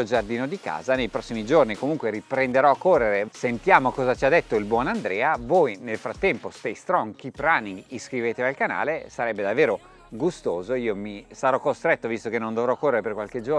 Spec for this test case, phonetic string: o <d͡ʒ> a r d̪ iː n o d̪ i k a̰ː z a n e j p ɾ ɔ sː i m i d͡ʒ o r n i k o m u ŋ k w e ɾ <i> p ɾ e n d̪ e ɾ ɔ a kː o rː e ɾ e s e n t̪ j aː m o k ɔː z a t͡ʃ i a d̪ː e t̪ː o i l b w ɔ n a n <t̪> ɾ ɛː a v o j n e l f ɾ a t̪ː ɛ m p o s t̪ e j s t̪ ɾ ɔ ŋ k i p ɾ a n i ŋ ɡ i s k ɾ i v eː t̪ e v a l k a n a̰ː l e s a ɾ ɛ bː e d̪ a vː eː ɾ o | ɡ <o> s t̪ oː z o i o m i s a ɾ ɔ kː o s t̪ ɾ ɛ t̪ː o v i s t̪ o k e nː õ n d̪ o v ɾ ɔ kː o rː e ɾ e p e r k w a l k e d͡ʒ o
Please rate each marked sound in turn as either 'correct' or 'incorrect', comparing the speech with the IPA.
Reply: correct, correct, incorrect: d̪, incorrect: u

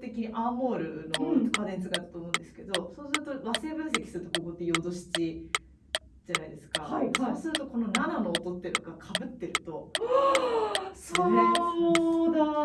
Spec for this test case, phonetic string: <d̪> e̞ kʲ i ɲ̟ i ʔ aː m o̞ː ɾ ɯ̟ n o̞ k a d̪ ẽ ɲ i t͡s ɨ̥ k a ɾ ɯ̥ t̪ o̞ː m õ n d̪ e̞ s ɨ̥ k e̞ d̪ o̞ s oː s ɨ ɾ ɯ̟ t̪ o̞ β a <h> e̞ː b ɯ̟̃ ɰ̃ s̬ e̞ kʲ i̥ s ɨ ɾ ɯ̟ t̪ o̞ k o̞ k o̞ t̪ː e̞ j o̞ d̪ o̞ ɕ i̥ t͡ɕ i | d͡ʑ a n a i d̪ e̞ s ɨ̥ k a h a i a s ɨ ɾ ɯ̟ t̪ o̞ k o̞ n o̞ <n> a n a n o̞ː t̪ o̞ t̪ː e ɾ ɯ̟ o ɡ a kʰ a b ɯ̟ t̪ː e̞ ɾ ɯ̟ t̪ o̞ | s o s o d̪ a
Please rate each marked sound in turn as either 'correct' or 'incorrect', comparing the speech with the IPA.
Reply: incorrect: t̪, incorrect: s, correct

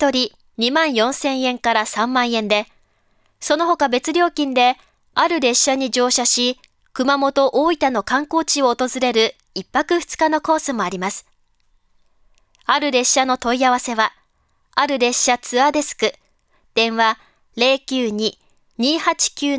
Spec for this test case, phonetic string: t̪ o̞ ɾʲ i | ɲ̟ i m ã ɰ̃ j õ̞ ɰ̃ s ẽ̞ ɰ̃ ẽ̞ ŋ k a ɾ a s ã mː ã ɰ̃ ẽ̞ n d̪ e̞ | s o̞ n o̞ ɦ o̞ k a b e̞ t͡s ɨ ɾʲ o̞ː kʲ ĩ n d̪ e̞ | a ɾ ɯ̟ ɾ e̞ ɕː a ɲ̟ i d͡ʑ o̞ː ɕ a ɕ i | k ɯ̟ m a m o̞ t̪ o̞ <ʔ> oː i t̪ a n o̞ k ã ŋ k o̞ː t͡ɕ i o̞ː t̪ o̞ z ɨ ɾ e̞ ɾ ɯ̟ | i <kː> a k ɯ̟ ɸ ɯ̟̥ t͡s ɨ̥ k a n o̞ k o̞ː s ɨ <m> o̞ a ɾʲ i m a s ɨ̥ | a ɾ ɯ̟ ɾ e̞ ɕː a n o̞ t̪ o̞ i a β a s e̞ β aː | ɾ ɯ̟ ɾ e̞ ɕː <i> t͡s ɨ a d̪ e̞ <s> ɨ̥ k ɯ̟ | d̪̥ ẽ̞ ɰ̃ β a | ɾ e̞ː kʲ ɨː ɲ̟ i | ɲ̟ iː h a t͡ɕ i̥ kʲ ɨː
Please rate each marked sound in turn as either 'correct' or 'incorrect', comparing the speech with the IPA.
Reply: correct, incorrect: pː, correct, incorrect: a, correct

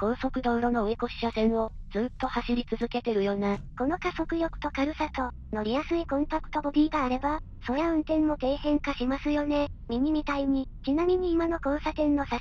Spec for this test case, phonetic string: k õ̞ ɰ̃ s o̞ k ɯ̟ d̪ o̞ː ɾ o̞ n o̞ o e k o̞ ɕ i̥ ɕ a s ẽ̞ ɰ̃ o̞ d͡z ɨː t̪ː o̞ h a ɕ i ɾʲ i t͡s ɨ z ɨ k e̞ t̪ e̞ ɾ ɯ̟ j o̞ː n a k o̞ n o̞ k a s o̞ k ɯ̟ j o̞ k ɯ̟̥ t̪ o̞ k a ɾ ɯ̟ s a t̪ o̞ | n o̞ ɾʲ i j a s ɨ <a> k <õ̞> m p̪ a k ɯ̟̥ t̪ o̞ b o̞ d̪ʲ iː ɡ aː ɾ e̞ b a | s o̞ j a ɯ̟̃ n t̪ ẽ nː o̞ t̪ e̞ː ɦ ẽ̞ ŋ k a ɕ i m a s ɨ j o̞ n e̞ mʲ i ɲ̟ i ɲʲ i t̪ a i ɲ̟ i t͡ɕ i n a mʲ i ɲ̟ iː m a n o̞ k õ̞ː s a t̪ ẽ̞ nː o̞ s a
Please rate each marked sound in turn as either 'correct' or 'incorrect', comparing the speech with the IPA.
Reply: incorrect: i, correct

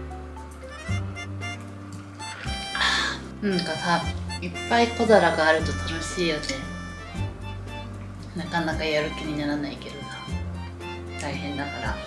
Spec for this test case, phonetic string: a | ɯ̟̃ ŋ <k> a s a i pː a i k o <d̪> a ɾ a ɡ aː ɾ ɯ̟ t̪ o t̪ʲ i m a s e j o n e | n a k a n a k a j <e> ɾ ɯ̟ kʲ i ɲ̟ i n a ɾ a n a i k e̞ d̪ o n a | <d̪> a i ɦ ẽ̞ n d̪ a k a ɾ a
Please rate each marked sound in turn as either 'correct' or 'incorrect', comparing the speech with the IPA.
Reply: correct, correct, incorrect: a, incorrect: t̪

